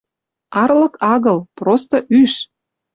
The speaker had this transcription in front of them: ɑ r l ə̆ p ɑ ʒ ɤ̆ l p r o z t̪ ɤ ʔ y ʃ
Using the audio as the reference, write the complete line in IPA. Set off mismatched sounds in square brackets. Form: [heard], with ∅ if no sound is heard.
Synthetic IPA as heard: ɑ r l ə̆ [k] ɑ [ɣ] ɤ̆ l p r o [s] t̪ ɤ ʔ y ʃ